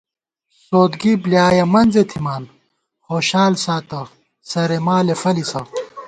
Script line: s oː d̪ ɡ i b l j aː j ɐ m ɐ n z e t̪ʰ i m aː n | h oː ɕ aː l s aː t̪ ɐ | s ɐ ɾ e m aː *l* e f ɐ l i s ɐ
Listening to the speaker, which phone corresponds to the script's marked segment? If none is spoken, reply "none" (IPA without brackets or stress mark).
l